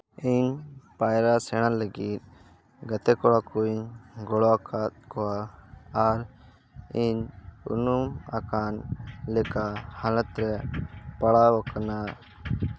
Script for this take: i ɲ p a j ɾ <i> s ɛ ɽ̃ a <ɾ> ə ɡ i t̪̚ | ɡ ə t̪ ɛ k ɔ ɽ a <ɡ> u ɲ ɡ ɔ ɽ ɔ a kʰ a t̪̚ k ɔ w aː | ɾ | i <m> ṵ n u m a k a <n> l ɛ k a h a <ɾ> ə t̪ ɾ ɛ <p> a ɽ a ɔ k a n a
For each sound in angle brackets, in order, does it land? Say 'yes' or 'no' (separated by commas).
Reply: no, no, no, no, yes, no, yes